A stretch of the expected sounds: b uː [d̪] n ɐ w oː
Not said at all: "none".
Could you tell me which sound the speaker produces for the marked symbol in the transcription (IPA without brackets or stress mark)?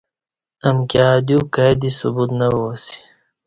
t̪